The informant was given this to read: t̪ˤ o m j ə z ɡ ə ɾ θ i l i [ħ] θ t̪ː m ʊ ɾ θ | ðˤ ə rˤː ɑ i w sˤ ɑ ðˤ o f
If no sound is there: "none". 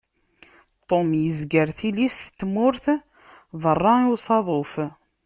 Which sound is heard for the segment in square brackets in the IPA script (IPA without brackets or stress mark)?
s